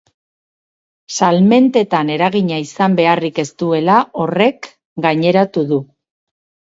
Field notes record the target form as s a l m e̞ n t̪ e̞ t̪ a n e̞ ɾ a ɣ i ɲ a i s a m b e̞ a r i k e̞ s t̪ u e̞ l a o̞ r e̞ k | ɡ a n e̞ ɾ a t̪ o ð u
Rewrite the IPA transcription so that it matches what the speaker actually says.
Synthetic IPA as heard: s a l m e̞ n t̪ e̞ t̪ a n e̞ ɾ a ɣ i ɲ a i s a m b e̞ a r i k e̞ s t̪ u e̞ l a o̞ r e̞ k | ɡ a ɲ e̞ ɾ a t̪ u ð u

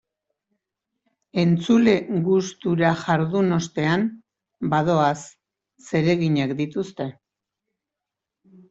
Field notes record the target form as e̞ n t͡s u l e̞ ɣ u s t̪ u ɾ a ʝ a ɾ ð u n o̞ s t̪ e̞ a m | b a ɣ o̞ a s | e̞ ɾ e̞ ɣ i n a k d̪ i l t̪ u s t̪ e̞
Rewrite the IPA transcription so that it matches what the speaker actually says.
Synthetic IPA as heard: e̞ n t͡s u l e̞ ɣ u s t̪ u ɾ a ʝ a ɾ ð u n o̞ s t̪ e̞ a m | b a ð o̞ a sː | e̞ ɾ e̞ ɣ i ɲ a k d̪ i t̪ u s t̪ e̞

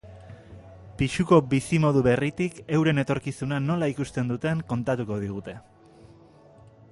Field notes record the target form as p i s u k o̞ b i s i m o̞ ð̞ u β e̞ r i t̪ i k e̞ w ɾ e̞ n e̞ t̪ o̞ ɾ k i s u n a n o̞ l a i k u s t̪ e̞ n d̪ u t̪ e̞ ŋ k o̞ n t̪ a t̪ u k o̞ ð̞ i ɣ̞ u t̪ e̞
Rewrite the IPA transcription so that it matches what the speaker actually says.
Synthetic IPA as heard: p i ʃ u k o̞ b i s i m o̞ ð̞ u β e̞ r i t̪ i k e̞ w ɾ e̞ n e̞ t̪ o̞ ɾ k i s u n a n o̞ l a i k u s t̪ e̞ n d̪ u t̪ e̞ ŋ k o̞ n t̪ a t̪ u k o̞ ð̞ i ɣ̞ u t̪ e̞

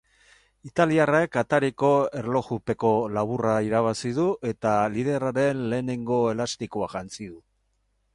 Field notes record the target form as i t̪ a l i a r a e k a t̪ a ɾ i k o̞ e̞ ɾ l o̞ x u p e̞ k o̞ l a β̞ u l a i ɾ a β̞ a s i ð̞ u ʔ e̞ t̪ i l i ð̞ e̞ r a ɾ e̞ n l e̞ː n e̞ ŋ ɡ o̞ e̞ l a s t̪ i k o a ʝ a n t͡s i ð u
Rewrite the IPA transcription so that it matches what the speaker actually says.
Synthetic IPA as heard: i t̪ a l i a r a e k a t̪ a ɾ i k o̞ e̞ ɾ l o̞ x u p e̞ k o̞ l a β̞ u r a i ɾ a β̞ a s i ð̞ u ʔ e̞ t̪ a l i ð̞ e̞ r a ɾ e̞ n l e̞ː n e̞ ŋ ɡ o̞ e̞ l a s t̪ i k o a ʝ a n t͡s i ð u

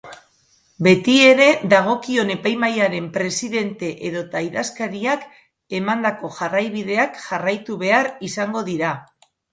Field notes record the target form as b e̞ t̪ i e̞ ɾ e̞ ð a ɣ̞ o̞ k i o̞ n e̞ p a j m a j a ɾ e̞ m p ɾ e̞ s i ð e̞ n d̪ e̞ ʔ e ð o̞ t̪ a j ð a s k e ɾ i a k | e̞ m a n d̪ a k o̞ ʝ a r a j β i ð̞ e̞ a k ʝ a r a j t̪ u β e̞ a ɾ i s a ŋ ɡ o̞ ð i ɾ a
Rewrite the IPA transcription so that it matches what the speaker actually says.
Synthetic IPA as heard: b e̞ t̪ i e̞ ɾ e̞ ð a ɣ̞ o̞ k i o̞ n e̞ p a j m a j a ɾ e̞ m p ɾ e̞ s i ð e̞ n t̪ e̞ ʔ e ð o̞ t̪ a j ð a s k a ɾ i a k | e̞ m a n d̪ a k o̞ ʝ a r a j β i ð̞ e̞ a k ʝ a r a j t̪ u β e̞ a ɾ i s a ŋ ɡ o̞ ð i ɾ a

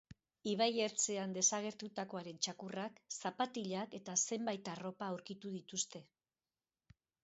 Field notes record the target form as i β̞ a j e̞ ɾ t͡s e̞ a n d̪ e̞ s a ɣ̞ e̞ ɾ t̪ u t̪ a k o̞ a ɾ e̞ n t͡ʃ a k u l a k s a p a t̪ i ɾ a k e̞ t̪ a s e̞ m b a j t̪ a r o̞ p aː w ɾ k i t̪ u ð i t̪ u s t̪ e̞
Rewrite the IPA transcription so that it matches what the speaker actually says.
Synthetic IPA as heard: i β̞ a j e̞ ɾ t͡s e̞ a n d̪ e̞ s a ɣ̞ e̞ ɾ t̪ u t̪ a k o̞ a ɾ e̞ n t͡ʃ a k u r a k s a p a t̪ i ʎ a k e̞ t̪ a s e̞ m b a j t̪ a r o̞ p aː w ɾ k i t̪ u ð i t̪ u s t̪ e̞

